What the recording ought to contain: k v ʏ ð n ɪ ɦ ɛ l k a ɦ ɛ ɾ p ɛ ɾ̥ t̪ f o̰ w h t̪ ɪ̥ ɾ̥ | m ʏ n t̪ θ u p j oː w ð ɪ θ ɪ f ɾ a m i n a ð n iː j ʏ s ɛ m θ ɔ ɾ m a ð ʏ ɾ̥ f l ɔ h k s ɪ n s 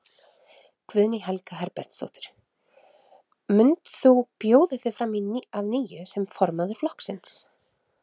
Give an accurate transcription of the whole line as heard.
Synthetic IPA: k v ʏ ð n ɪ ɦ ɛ l k a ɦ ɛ ɾ p ɛ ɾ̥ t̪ s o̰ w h t̪ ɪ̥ ɾ̥ | m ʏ n t̪ θ u p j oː w ð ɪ θ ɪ f ɾ a m i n a ð n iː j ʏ s ɛ m f ɔ ɾ m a ð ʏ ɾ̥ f l ɔ h k s ɪ n s